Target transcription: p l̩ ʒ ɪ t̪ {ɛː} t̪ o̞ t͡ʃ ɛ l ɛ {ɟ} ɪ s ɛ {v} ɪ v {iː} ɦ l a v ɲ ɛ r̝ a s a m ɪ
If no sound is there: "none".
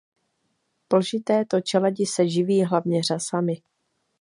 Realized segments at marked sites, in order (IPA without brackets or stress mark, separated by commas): ɛː, ɟ, ʒ, iː